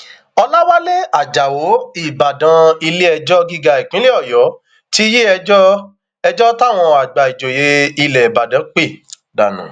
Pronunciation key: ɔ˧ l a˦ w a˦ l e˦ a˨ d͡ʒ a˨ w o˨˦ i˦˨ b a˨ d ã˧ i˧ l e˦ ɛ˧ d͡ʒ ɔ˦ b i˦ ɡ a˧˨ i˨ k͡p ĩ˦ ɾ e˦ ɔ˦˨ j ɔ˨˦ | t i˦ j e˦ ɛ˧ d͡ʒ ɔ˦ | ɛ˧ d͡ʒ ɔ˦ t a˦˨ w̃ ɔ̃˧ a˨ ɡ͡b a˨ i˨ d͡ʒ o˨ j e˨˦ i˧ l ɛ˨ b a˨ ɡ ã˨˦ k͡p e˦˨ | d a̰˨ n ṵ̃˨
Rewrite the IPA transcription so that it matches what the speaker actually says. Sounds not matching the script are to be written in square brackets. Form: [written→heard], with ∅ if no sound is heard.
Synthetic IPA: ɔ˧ l a˦ w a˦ l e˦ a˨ d͡ʒ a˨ w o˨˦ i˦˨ b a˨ d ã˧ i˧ l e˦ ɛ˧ d͡ʒ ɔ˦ [b→ɡ] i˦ ɡ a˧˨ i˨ k͡p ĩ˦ [ɾ→l] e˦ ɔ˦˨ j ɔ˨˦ | t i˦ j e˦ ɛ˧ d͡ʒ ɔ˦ | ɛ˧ d͡ʒ ɔ˦ t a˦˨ w̃ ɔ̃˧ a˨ ɡ͡b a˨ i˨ d͡ʒ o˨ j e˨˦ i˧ l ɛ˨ b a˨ [ɡ→d] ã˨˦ k͡p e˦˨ | d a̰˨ n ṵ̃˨